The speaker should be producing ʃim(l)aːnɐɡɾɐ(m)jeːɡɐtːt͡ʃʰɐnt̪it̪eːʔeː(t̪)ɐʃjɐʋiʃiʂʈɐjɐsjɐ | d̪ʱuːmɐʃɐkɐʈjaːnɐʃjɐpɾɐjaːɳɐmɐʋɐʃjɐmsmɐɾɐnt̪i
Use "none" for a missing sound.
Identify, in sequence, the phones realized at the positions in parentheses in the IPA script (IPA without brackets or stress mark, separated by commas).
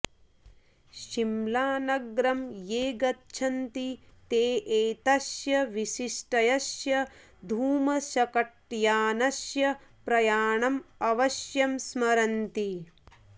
l, m, t̪